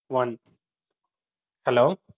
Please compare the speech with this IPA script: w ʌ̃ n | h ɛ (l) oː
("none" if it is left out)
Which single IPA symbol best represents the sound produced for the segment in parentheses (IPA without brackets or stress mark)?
l